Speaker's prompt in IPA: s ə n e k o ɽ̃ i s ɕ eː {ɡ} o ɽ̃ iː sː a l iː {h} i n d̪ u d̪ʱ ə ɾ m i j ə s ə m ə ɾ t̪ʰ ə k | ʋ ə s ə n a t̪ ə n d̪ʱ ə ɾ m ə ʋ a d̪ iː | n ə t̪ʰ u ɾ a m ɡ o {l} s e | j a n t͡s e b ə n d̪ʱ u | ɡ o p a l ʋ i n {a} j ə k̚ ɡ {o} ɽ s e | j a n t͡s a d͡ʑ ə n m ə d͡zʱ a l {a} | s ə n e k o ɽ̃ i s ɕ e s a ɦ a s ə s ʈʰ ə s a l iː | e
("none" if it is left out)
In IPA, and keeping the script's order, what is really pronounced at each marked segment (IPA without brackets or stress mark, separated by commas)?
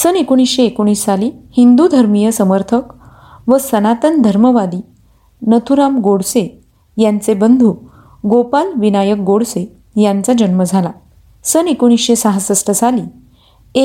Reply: k, h, ɽ, a, o, a